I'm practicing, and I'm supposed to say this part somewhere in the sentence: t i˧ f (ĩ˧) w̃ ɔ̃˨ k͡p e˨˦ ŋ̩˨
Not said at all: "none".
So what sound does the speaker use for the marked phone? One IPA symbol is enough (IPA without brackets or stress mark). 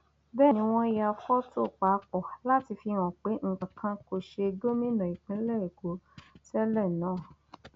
i˧